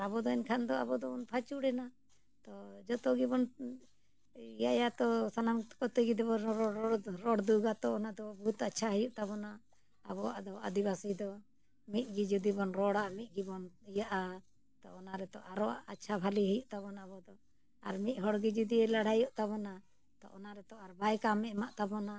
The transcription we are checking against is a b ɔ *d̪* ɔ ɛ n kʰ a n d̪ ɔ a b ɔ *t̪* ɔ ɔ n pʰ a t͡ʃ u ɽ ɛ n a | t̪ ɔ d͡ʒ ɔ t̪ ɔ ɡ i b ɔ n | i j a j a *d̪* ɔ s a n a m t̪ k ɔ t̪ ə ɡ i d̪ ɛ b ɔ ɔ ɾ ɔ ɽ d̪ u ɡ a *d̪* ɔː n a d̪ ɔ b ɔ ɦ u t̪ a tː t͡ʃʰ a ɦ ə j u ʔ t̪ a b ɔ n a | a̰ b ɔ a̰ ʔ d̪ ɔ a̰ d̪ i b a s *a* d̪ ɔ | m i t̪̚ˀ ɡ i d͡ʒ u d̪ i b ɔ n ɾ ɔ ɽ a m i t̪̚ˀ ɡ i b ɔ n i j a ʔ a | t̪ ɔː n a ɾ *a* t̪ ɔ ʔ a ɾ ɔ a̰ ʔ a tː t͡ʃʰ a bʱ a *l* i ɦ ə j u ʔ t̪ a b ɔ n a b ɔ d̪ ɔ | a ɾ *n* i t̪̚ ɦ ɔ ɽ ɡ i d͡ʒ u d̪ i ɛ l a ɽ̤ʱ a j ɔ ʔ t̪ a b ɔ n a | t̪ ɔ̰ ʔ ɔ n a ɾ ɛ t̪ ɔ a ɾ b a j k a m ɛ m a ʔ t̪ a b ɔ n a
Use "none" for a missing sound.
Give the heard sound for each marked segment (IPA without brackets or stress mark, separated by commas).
d̪, d̪, t̪, t̪, i, ɛ, l, m